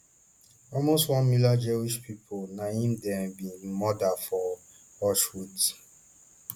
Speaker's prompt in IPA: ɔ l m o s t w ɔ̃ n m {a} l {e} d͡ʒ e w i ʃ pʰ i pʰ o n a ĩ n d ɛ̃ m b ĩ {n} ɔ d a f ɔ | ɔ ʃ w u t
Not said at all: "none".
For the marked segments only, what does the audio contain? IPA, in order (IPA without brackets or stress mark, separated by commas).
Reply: i, a, m